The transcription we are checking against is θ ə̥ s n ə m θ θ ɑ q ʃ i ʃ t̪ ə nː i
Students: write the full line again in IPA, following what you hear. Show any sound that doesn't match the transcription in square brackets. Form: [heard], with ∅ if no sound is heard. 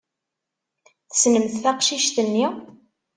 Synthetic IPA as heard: θ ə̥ s n ə m θ θ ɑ q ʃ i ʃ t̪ ə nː i